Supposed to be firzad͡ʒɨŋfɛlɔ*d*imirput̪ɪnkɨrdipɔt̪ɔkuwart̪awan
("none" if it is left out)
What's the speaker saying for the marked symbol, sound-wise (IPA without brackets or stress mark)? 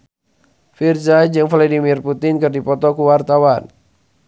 d